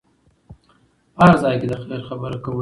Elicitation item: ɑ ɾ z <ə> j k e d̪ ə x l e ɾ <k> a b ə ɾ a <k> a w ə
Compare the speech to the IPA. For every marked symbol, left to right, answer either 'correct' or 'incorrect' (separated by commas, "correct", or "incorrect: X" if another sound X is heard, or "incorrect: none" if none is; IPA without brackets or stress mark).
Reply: incorrect: ɑ, incorrect: x, correct